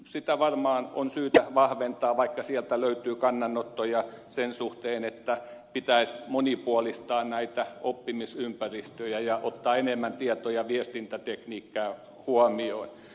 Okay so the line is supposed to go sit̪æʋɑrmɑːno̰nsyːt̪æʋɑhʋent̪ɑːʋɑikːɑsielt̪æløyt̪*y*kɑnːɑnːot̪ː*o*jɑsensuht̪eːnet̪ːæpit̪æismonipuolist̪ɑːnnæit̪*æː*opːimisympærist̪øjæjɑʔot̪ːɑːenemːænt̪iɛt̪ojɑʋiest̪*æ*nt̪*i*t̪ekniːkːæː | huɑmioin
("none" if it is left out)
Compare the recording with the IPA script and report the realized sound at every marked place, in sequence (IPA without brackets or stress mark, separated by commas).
yː, o, æ, i, æ